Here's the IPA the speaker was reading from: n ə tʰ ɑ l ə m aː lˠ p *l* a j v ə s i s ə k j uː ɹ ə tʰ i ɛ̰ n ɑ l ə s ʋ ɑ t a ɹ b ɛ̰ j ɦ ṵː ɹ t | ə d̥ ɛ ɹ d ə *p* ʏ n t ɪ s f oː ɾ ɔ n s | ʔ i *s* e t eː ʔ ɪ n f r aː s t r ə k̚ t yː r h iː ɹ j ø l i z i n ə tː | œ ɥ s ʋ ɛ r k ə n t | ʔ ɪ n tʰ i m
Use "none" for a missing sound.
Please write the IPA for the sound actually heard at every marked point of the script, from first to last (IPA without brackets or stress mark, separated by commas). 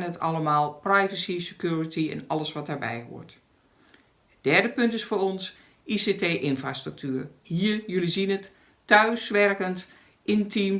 r, p, s